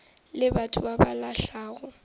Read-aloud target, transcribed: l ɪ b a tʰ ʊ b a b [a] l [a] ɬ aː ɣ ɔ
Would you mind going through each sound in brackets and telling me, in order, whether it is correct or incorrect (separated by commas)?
correct, correct